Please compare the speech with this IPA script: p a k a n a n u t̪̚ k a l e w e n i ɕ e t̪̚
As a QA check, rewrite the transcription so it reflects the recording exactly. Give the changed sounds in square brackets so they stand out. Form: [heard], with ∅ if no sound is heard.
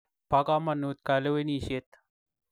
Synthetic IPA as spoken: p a k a [m] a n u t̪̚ k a l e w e n i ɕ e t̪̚